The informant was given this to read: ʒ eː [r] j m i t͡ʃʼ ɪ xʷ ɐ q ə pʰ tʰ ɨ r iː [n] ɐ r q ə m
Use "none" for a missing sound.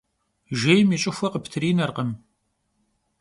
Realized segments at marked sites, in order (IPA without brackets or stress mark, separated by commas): none, n